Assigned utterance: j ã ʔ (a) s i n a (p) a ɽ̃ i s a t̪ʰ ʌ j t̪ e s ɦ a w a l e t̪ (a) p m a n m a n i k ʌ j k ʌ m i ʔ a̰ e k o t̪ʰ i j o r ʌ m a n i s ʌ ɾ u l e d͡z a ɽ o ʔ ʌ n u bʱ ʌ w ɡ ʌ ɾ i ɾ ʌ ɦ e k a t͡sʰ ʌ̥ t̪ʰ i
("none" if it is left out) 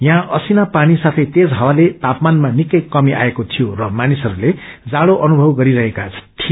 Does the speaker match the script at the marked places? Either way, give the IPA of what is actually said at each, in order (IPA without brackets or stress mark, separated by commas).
ʌ, p, a